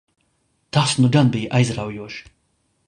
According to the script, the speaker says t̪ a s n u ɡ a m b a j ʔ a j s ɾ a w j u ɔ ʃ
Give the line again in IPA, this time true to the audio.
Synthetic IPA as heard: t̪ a s n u ɡ a n b i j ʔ a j z ɾ a w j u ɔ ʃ